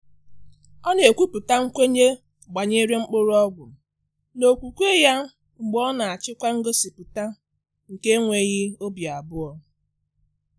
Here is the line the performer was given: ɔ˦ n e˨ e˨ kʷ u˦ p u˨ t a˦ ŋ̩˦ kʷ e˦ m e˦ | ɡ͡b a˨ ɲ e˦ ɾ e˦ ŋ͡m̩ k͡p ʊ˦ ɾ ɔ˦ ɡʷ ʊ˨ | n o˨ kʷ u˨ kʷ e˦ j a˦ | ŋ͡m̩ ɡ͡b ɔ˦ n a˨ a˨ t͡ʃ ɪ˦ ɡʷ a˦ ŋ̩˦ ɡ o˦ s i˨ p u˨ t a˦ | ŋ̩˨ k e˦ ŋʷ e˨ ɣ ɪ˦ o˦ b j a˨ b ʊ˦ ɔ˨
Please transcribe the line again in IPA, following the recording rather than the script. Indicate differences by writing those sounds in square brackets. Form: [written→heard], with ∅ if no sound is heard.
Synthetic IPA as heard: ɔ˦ n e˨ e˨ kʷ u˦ p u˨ t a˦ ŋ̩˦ kʷ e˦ [m→ɲ] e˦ | ɡ͡b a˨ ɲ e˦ ɾ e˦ ŋ͡m̩ k͡p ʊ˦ ɾ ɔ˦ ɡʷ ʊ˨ | n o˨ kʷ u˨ kʷ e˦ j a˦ | ŋ͡m̩ ɡ͡b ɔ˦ n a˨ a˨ t͡ʃ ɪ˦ [ɡʷ→kʷ] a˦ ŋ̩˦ ɡ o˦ s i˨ p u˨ t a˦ | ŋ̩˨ k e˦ ŋʷ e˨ ɣ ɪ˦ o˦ b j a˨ b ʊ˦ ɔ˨